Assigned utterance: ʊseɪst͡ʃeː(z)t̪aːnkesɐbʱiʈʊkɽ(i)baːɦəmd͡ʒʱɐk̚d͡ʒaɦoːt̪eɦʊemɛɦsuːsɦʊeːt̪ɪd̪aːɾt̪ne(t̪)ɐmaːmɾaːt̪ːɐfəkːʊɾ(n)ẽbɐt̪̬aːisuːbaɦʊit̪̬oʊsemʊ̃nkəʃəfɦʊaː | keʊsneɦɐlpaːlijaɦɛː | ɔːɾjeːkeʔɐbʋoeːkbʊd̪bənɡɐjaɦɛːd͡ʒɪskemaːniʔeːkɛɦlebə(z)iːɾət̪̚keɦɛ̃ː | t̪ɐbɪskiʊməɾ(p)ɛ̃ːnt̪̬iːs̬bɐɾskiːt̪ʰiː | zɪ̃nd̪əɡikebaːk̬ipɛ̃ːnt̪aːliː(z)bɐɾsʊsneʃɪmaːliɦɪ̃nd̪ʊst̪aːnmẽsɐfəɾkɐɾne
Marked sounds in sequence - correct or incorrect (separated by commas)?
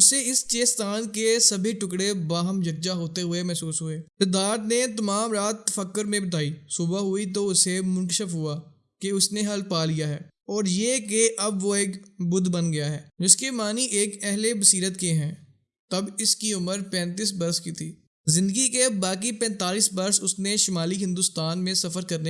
incorrect, incorrect, correct, incorrect, incorrect, correct, incorrect